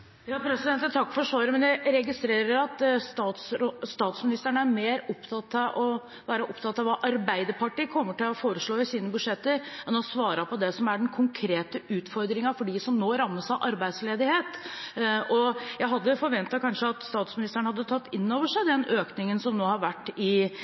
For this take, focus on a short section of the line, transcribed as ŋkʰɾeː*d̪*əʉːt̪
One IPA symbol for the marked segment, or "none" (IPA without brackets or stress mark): t̪